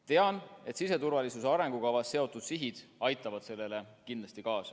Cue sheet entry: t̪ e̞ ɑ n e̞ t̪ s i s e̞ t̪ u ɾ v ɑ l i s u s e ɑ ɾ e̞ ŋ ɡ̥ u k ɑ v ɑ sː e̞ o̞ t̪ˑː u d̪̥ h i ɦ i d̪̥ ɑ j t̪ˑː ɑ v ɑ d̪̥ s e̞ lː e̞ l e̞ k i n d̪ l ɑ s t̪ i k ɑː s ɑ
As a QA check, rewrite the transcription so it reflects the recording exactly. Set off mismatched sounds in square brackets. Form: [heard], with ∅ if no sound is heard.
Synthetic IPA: t̪ e̞ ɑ n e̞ t̪ s i s e̞ t̪ u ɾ v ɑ l i s u s e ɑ ɾ e̞ ŋ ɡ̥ u k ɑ v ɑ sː e̞ o̞ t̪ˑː u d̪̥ [s] i ɦ i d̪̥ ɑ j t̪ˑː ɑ v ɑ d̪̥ s e̞ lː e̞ l e̞ k i n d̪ l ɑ s t̪ i k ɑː s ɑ